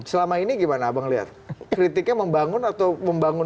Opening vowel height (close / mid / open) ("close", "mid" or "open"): mid